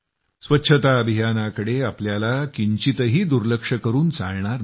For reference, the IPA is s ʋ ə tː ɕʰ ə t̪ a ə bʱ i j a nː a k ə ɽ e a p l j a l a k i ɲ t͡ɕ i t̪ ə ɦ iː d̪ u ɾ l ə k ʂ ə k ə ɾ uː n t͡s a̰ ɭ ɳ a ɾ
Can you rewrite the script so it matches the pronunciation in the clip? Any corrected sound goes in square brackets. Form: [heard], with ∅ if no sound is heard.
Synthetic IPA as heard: s ʋ ə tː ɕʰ ə t̪ a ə bʱ i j a [n] a k ə ɽ e a p l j a l a k i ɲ t͡ɕ i t̪ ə ɦ iː d̪ u ɾ l ə k ʂ ə k ə ɾ uː n t͡s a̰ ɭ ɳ a ɾ